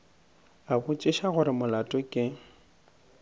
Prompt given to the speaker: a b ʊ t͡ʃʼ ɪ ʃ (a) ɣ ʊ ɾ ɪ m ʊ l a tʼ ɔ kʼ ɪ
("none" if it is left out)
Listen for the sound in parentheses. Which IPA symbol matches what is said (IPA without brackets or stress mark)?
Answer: a